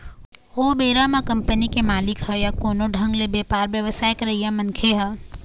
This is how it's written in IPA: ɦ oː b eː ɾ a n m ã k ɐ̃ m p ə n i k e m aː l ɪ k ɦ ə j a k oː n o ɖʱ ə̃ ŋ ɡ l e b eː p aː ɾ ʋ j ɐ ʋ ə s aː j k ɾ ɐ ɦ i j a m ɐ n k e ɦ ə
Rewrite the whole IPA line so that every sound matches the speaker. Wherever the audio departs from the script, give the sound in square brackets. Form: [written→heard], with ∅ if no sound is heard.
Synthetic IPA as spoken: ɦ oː b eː ɾ a [n→∅] m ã k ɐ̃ m p ə n i k e m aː l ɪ k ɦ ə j a k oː n o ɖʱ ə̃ ŋ ɡ l e b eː p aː ɾ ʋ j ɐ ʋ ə s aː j k ɾ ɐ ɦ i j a m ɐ n [k→kʰ] e ɦ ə